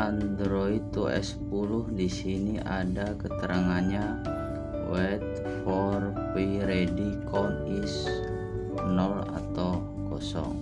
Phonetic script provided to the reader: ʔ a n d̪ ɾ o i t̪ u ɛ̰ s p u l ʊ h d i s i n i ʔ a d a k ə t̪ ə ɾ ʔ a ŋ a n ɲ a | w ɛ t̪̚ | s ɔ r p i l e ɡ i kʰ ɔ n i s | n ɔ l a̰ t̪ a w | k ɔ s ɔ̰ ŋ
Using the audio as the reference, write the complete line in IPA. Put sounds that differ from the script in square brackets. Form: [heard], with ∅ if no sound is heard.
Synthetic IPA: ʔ a n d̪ ɾ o i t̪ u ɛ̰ s p u l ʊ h d i s i n i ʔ a d a k ə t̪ ə ɾ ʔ a ŋ a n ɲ a | w ɛ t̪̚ | [f] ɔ r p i [ɾ] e [d] i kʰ ɔ n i s | n ɔ l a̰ t̪ a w | k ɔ s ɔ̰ ŋ